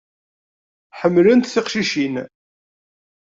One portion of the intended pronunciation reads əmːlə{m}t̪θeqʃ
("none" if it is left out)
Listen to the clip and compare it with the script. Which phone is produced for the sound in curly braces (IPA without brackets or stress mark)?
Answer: n